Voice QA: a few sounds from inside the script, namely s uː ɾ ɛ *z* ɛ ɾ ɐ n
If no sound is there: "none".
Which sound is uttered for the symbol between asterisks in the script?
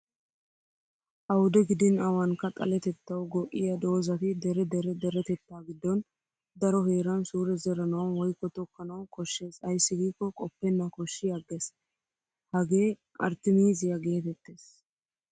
z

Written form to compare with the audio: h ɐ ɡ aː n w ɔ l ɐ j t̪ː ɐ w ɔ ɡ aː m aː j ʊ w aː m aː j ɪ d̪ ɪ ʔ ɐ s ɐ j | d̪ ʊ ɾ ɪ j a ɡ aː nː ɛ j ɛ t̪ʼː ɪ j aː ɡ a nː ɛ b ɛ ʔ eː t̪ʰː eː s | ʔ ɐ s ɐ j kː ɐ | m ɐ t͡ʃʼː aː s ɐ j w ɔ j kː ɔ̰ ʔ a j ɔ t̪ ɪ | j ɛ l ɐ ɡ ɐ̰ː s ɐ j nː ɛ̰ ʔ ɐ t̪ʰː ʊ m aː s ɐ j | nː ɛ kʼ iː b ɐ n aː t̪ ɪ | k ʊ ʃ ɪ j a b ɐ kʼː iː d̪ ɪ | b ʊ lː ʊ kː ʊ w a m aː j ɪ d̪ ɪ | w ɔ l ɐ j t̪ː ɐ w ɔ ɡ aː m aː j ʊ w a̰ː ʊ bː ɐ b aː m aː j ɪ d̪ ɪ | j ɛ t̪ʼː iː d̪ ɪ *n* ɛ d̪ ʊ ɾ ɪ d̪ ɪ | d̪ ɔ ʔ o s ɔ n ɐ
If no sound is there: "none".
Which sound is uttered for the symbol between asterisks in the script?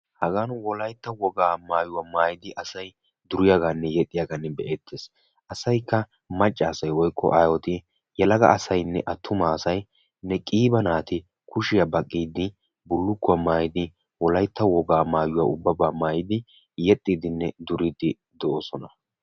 nː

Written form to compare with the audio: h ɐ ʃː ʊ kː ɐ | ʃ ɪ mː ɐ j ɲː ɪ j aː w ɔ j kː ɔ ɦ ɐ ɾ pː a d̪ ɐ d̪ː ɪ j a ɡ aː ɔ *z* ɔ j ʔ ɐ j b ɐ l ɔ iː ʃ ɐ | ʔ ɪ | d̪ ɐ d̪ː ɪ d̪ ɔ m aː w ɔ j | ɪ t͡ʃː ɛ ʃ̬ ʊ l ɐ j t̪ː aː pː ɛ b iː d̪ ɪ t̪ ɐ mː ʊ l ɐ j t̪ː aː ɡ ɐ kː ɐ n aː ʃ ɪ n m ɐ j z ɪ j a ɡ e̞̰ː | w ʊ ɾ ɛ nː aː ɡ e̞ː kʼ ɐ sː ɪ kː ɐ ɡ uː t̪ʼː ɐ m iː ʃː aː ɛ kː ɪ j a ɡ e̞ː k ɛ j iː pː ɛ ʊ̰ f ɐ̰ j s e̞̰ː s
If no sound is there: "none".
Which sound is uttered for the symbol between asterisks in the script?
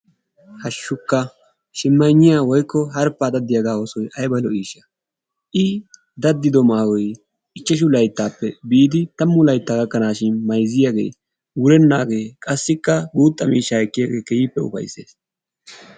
s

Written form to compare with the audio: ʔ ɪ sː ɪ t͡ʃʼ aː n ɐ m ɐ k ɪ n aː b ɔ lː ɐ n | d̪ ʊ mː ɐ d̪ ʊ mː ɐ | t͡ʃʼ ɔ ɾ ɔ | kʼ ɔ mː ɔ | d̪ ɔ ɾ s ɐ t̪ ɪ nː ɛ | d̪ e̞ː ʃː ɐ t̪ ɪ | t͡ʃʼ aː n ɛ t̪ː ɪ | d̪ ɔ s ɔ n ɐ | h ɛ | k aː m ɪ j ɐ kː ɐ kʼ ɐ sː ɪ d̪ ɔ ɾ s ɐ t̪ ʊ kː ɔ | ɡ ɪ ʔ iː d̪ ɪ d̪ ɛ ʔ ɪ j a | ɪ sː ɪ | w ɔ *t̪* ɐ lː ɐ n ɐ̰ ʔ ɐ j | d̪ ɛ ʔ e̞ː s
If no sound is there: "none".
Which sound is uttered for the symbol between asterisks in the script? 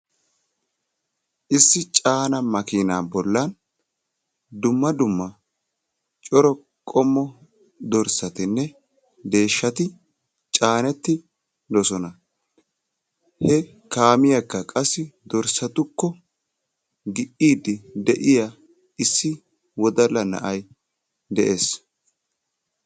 d̪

